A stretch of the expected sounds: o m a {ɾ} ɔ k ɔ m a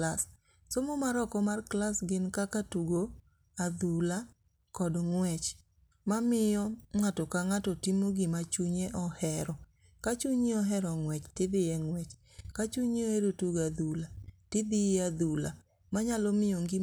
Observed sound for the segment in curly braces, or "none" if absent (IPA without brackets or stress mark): ɾ